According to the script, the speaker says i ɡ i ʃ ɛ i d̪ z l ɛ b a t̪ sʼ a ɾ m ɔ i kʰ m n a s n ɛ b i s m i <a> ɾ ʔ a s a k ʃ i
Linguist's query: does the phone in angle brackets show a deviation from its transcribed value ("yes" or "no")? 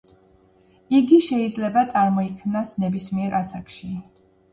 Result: yes